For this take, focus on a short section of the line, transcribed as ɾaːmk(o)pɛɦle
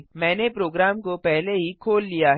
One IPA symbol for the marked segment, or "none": o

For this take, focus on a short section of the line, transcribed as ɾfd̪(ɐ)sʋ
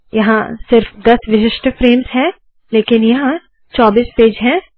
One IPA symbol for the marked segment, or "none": ɐ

